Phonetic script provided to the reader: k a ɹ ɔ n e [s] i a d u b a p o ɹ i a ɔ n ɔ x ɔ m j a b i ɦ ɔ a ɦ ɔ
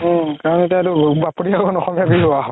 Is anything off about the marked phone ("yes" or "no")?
yes